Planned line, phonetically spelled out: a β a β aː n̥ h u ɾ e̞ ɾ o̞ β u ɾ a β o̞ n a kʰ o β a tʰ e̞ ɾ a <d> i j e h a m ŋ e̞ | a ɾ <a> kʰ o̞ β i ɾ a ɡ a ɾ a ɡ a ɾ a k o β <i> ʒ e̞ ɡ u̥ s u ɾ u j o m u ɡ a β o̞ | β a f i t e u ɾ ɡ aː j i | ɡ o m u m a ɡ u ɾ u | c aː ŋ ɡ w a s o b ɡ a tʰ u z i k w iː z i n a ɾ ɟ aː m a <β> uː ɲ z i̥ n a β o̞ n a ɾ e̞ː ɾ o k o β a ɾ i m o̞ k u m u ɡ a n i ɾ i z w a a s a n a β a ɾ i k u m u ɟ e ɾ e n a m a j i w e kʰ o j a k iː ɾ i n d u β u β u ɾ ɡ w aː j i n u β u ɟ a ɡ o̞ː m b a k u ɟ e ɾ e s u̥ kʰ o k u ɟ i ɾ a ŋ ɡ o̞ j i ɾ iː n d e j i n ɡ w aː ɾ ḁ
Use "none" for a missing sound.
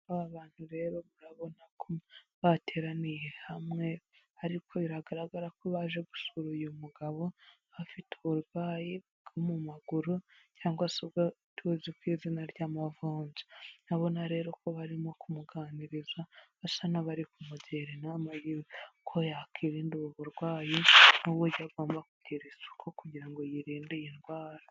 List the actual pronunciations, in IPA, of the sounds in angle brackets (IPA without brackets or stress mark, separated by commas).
n, i, a, v